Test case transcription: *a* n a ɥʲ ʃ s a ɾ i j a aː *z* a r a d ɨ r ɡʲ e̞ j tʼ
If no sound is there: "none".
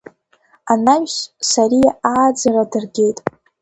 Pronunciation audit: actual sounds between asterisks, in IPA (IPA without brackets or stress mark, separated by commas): a, d͡z